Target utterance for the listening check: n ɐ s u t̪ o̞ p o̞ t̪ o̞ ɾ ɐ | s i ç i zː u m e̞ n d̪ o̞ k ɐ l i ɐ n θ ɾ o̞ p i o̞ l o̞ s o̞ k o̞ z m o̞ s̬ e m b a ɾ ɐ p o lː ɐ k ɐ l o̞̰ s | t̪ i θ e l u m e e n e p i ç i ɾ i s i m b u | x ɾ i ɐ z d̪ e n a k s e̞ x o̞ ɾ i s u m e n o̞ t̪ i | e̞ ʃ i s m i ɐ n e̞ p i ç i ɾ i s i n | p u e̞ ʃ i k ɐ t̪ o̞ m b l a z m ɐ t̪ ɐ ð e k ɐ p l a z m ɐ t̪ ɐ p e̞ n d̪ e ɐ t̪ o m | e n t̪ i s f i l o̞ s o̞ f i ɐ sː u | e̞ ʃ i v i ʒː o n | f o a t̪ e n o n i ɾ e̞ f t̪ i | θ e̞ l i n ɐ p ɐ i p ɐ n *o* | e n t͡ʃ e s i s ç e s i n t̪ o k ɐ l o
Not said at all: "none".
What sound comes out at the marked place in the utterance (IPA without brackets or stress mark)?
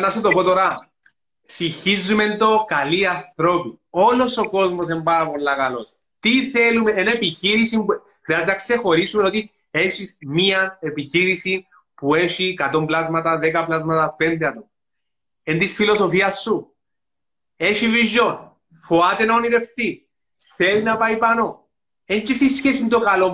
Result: o